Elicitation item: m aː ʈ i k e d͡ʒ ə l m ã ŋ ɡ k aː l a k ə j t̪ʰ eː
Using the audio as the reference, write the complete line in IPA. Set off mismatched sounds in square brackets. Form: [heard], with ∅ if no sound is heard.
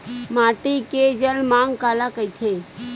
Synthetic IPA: m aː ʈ i k e d͡ʒ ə l m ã ŋ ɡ k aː l a k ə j t̪ʰ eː